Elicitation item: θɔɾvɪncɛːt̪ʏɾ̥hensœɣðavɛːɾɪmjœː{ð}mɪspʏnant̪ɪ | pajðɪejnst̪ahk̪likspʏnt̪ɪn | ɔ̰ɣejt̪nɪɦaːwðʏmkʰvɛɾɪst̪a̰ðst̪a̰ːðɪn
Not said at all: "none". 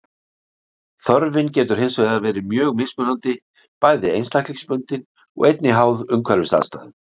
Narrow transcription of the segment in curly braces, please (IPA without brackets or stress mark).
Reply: ɣ